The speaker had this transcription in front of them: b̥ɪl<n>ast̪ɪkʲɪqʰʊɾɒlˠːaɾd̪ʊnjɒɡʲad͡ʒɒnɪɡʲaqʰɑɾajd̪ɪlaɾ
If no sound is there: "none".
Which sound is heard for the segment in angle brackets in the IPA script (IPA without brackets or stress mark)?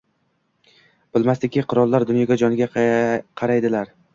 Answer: m